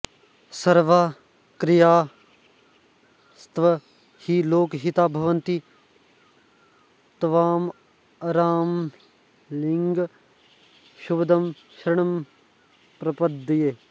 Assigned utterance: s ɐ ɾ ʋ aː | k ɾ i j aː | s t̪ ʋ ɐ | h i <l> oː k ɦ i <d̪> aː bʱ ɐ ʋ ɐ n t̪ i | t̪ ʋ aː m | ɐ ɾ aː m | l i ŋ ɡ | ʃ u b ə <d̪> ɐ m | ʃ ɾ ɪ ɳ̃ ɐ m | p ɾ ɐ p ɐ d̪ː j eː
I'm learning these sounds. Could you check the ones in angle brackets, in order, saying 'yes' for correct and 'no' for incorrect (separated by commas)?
yes, no, yes